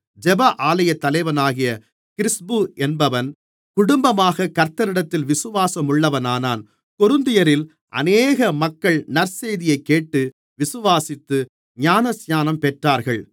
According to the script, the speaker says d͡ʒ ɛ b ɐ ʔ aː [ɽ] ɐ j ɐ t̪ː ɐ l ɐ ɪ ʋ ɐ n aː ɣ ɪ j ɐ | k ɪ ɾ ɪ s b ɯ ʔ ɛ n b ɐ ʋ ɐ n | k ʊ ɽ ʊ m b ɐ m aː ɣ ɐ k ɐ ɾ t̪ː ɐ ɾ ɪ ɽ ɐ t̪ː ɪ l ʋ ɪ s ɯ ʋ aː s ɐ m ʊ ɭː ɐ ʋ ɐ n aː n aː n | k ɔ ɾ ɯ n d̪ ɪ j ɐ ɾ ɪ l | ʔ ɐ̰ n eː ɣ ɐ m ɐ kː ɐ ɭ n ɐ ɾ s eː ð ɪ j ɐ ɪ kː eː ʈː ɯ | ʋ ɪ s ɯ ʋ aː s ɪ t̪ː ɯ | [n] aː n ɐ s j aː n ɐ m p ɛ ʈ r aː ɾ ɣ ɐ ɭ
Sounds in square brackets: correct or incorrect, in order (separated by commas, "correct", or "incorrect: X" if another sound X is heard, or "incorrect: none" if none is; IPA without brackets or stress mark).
incorrect: l, incorrect: ɲ